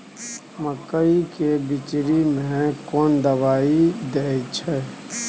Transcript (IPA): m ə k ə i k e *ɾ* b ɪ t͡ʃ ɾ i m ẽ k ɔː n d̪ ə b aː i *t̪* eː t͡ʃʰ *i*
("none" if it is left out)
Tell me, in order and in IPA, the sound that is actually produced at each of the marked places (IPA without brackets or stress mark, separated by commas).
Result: none, d̪, ɛ